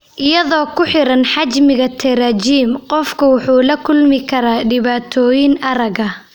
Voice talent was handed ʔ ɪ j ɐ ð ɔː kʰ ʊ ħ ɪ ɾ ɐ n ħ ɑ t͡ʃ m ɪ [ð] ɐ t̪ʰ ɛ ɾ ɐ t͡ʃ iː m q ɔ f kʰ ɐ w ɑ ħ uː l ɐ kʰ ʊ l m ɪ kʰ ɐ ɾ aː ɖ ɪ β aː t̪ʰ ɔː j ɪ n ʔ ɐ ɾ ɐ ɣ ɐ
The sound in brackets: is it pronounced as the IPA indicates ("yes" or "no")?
no